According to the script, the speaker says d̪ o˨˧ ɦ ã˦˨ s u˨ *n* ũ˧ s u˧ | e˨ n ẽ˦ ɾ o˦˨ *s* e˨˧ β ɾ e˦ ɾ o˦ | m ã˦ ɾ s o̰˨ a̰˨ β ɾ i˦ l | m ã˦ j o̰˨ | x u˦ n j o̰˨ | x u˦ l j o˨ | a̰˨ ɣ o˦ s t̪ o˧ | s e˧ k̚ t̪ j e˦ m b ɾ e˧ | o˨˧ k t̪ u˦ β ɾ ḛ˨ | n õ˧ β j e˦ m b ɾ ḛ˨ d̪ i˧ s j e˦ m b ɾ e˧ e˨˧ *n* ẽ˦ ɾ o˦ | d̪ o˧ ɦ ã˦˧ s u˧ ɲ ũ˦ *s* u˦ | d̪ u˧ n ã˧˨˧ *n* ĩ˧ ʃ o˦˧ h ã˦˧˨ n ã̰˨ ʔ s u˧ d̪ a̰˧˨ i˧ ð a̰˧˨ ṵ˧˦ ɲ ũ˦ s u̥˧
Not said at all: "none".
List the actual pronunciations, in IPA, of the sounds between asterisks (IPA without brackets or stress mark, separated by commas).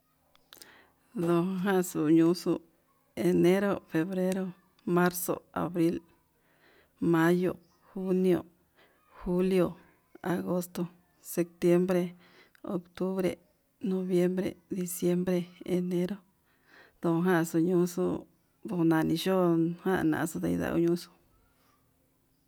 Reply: ɲ, f, n, s, n